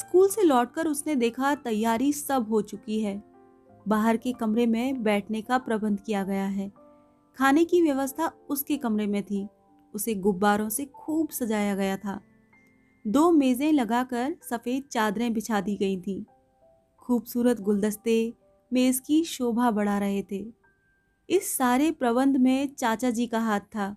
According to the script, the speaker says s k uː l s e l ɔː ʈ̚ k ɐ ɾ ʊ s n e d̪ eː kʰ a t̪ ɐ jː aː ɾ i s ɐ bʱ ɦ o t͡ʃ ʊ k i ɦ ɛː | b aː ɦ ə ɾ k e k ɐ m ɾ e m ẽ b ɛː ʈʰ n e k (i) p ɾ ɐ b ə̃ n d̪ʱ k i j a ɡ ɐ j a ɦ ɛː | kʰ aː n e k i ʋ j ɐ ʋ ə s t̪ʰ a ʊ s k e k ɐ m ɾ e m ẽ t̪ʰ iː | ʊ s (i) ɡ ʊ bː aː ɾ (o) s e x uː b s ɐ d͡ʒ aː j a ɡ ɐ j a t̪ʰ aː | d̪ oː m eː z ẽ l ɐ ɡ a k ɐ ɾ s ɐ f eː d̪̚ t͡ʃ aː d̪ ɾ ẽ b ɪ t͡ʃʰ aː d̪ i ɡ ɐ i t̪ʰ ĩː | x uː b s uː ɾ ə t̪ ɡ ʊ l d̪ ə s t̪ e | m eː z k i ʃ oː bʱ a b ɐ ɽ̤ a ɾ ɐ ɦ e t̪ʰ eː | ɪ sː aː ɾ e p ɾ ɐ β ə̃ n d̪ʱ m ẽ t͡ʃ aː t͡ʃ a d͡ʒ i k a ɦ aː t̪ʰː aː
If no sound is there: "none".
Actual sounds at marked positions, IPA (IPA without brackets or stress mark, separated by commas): a, e, õ